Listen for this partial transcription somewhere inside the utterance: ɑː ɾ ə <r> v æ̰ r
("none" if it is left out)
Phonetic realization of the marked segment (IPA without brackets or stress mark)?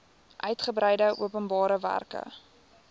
none